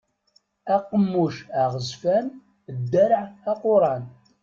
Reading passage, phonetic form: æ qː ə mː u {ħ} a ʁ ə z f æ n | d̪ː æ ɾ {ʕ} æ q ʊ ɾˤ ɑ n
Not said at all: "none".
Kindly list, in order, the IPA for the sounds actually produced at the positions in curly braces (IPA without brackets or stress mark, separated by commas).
ʃ, ʕ